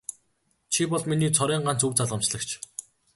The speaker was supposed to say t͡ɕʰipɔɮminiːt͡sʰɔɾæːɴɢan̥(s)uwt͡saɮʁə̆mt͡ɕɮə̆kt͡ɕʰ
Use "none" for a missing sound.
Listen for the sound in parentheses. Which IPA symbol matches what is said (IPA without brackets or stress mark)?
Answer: t͡s